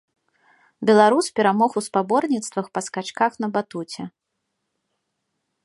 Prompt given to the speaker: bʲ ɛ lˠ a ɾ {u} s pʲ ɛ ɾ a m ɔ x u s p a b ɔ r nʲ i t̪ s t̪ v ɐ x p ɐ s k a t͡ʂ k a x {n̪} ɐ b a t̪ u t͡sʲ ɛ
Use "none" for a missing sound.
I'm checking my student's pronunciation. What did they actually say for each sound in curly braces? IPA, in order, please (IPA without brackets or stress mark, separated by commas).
u, n̪